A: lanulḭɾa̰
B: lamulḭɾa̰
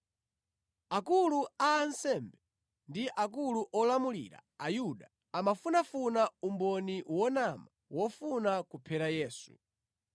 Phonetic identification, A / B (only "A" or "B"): B